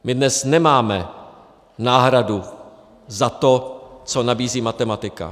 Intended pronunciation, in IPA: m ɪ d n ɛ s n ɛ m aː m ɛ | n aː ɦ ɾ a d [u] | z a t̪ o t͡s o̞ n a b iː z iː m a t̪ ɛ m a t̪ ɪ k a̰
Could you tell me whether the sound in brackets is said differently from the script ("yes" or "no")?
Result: no